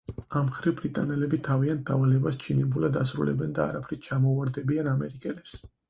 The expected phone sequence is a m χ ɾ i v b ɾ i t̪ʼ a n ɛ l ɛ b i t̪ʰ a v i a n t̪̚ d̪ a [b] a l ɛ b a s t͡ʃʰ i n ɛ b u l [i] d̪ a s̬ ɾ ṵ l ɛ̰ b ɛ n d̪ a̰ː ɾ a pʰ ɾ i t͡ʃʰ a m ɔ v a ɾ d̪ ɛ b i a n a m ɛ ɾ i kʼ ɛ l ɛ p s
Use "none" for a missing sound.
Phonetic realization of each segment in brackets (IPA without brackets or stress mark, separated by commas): v, a